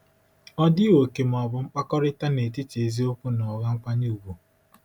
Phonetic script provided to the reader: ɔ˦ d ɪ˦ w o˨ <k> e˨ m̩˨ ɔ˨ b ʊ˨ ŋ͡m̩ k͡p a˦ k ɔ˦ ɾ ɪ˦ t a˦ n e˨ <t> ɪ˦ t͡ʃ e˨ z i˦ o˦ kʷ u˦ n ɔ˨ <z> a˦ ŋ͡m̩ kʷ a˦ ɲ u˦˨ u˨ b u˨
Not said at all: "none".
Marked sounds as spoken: k, t, ɣ

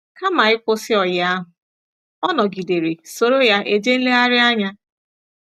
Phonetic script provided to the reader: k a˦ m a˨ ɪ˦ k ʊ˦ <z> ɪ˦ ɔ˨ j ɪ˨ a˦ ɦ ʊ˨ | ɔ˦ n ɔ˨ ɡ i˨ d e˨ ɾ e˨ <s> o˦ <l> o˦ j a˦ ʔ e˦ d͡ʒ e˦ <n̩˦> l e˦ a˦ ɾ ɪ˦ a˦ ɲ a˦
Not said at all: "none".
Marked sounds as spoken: s, s, ɾ, n̩˦

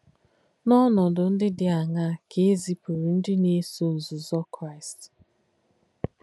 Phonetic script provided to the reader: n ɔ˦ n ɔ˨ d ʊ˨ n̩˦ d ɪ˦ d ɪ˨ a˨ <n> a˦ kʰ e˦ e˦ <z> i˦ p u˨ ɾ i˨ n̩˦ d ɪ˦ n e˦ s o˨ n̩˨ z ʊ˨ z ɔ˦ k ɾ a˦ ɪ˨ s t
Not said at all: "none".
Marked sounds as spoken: ŋ, z

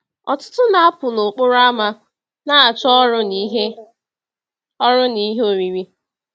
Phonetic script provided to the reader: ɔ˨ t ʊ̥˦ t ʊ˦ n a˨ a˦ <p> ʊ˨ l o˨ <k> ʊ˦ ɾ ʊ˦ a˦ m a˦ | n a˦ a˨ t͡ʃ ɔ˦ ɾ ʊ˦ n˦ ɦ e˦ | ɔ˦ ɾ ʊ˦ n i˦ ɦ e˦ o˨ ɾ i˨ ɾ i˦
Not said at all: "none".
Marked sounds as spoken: p, k͡p

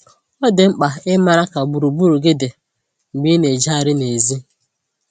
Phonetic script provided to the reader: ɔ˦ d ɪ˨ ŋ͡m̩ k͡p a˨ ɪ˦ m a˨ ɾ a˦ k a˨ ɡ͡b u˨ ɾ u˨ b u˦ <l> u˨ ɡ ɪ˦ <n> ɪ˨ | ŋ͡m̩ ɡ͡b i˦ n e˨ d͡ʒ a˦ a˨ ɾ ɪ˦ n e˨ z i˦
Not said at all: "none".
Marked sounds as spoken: ɾ, d

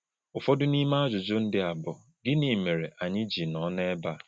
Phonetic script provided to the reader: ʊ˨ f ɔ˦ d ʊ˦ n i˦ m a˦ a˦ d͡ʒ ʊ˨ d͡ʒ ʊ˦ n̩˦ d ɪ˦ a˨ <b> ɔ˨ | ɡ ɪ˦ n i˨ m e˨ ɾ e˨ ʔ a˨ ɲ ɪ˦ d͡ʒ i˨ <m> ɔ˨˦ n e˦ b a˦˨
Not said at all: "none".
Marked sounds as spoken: b, n

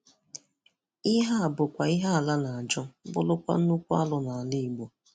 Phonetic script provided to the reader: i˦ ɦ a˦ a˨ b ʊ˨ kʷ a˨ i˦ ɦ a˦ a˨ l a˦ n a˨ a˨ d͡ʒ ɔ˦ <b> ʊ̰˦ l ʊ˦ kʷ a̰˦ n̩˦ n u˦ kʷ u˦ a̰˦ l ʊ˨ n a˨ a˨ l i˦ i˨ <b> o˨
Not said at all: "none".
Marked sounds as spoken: b, ɡ͡b

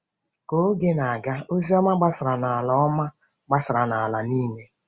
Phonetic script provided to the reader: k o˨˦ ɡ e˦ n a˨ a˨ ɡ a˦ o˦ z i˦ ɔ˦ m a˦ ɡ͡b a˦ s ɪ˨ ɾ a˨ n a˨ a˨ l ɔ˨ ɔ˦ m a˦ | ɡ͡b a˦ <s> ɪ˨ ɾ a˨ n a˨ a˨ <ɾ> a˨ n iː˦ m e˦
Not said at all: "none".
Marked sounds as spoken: s, l

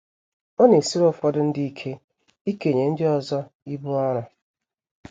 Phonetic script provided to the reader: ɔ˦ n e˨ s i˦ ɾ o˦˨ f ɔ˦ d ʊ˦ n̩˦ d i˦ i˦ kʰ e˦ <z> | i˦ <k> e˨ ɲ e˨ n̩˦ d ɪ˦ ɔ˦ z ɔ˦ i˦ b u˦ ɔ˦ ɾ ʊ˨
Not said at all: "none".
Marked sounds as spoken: none, k

